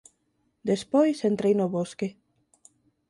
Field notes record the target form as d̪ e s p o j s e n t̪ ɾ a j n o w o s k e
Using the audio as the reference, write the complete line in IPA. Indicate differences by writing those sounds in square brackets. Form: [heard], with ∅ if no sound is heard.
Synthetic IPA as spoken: d̪ e s p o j s e n t̪ ɾ [e] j n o [β] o s k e